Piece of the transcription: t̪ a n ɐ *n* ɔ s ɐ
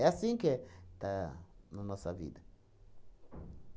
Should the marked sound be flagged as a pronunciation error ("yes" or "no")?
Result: no